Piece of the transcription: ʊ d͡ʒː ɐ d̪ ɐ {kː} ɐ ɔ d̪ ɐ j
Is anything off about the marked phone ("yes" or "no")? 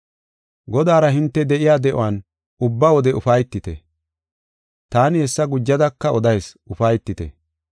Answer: no